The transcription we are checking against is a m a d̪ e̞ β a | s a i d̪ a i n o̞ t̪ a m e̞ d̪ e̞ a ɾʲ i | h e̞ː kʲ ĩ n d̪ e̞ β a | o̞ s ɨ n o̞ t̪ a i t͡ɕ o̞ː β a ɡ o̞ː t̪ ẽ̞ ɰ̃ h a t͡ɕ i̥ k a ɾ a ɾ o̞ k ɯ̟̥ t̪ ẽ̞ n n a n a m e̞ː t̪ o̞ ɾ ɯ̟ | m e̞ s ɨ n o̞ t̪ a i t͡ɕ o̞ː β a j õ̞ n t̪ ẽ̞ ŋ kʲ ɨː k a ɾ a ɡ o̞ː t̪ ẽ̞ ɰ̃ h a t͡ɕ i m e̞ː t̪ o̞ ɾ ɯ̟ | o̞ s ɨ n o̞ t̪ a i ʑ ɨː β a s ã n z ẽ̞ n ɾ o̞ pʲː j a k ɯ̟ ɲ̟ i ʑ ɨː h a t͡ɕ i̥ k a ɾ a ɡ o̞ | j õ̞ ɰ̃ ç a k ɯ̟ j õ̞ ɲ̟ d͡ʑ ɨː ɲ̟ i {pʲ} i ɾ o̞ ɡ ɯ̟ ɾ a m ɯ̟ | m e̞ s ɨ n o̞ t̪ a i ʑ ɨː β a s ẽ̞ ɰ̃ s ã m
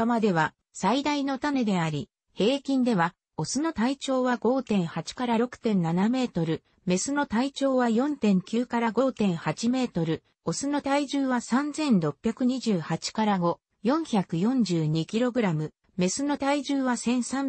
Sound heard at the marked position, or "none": kʲ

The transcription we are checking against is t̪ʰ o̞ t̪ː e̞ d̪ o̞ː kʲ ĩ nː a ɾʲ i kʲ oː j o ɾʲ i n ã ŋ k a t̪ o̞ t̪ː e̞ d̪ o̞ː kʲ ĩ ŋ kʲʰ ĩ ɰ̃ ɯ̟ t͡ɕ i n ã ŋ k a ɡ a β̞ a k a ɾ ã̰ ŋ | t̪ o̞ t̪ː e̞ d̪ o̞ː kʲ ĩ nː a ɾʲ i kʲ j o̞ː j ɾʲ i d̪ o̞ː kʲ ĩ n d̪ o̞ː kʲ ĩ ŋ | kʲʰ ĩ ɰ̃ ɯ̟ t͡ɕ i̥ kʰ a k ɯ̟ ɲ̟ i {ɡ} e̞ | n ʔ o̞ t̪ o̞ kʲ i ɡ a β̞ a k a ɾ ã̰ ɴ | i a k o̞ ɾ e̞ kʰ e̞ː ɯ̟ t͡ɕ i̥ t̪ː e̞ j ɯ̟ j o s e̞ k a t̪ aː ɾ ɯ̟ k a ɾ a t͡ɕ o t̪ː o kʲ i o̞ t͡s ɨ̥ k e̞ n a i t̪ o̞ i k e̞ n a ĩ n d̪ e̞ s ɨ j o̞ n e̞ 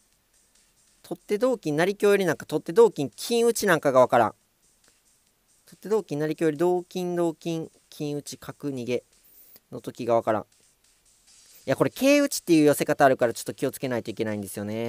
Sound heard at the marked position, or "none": ɡ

